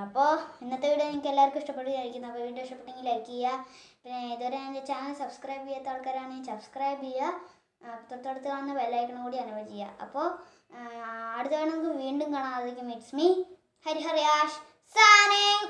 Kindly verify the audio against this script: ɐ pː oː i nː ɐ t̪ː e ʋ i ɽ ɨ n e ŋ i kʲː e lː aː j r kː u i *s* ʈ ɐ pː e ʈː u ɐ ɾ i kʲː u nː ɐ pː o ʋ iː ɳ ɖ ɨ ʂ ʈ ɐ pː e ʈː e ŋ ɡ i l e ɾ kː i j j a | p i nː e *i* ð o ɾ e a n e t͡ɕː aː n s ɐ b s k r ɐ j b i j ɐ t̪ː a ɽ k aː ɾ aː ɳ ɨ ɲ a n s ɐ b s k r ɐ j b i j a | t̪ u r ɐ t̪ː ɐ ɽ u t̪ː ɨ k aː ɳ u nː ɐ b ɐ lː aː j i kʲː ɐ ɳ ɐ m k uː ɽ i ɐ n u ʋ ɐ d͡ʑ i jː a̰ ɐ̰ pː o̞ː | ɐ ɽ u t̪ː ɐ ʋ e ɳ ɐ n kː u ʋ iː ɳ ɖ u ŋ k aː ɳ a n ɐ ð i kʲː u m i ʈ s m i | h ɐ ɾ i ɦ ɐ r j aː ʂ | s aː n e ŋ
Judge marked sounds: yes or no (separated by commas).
no, yes